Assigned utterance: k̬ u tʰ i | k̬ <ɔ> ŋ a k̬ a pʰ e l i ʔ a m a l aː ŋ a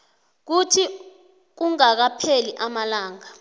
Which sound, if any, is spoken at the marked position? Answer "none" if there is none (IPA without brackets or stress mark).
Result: u